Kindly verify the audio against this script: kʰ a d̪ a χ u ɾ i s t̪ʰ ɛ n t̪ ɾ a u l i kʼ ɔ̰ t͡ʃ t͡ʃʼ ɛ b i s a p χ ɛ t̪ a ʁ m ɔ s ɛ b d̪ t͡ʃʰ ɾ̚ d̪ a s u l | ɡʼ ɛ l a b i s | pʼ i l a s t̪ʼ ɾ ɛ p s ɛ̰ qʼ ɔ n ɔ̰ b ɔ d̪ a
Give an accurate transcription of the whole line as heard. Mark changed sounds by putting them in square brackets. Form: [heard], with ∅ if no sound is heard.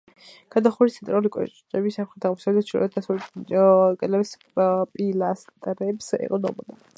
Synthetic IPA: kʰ a d̪ a χ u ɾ i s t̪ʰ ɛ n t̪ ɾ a u l i kʼ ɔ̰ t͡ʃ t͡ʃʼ ɛ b i s a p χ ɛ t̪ a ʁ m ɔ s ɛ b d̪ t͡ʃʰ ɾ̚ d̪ a s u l | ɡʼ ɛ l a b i s | pʼ i l a s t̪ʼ ɾ ɛ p s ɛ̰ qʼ ɔ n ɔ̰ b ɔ d̪ a